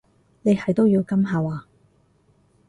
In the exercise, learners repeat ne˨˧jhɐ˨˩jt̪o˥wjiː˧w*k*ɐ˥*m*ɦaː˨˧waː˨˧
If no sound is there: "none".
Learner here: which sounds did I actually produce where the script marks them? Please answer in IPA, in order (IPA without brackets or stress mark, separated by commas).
k, m